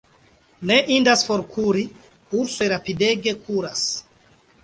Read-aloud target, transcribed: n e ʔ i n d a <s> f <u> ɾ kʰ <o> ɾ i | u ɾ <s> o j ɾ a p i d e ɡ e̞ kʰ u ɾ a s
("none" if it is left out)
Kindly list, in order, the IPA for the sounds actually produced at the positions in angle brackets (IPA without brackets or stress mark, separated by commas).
s, o, u, s